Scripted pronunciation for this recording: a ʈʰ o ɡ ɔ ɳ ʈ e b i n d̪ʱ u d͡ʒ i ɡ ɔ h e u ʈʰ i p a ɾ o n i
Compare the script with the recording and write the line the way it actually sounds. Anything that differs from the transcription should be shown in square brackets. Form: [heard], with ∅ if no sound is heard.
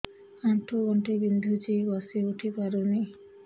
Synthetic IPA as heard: a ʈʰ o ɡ ɔ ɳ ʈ e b i n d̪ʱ u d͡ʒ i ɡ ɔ [s] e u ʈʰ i p a ɾ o n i

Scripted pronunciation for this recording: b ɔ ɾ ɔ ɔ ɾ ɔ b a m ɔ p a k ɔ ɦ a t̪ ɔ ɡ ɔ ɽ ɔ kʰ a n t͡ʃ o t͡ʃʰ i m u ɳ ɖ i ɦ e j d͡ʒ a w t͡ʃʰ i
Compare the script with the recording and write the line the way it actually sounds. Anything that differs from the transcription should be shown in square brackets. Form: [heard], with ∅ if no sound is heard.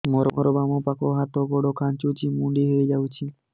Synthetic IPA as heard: [m] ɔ ɾ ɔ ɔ ɾ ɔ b a m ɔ p a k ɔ ɦ a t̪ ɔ ɡ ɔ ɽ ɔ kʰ a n t͡ʃ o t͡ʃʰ i m u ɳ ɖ i ɦ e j d͡ʒ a w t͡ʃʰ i

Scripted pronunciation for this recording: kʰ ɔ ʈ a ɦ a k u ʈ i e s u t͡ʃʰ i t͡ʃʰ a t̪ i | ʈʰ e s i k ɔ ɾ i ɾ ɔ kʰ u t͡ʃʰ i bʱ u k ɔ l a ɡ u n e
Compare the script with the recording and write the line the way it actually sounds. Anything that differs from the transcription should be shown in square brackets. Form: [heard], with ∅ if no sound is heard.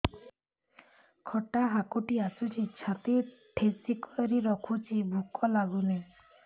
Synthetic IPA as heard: kʰ ɔ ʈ a ɦ a k u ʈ i [a] s u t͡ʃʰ i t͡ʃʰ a t̪ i | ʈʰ e s i k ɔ ɾ i ɾ ɔ kʰ u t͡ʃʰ i bʱ u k ɔ l a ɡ u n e

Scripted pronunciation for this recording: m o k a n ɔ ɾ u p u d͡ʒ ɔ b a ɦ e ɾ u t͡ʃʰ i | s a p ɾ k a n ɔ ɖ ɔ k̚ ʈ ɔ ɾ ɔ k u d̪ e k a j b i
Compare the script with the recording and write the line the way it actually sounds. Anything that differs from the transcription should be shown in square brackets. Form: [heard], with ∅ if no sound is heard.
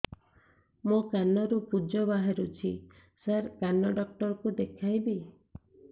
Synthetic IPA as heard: m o k a n ɔ ɾ u p u d͡ʒ ɔ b a ɦ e ɾ u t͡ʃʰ i | s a [∅] ɾ k a n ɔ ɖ ɔ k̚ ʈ ɔ ɾ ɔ k u d̪ e [kʰ] a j b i

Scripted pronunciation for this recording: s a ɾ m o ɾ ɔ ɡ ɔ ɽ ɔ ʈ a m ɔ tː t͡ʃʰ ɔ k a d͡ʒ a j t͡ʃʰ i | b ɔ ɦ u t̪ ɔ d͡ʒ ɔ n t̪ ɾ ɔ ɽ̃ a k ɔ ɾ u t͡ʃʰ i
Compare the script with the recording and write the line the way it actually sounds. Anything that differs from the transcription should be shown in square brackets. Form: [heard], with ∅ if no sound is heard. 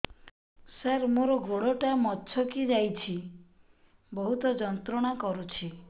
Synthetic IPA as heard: s a ɾ m o ɾ ɔ ɡ [o] ɽ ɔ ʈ a m ɔ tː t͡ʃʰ ɔ k [i] d͡ʒ a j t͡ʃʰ i | b ɔ ɦ u t̪ ɔ d͡ʒ ɔ n t̪ ɾ ɔ ɽ̃ a k ɔ ɾ u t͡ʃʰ i

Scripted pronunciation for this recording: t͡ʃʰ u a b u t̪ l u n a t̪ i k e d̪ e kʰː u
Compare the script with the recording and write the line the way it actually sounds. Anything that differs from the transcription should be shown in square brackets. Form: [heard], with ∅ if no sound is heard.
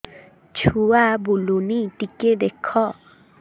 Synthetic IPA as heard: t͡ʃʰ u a b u [∅] l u n [i] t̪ i k e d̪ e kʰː [ɔ]

